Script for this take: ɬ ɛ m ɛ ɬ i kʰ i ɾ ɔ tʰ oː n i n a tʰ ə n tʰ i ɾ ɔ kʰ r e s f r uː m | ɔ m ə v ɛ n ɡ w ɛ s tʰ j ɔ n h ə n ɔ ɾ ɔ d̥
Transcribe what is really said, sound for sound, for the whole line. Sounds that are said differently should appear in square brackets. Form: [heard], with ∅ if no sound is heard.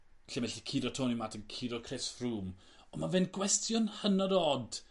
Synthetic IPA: ɬ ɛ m ɛ ɬ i kʰ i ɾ ɔ tʰ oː n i [m] a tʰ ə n [kʰ] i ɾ ɔ kʰ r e s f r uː m | ɔ m [a] v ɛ n ɡ w ɛ s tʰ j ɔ n h ə n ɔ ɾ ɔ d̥